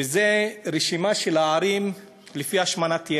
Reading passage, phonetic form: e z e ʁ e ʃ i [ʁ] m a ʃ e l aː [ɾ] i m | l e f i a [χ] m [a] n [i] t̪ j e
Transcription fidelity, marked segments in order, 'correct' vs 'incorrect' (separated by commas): incorrect, correct, incorrect, correct, incorrect